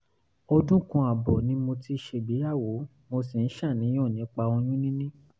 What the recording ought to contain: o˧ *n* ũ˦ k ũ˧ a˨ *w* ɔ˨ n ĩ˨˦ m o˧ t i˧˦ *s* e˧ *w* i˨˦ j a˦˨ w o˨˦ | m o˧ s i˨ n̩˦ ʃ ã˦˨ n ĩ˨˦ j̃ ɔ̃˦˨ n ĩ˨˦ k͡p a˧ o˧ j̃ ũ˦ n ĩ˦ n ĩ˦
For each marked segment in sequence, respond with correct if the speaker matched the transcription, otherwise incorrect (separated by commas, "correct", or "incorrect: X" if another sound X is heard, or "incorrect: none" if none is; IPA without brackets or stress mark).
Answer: incorrect: d, incorrect: b, incorrect: ʃ, incorrect: b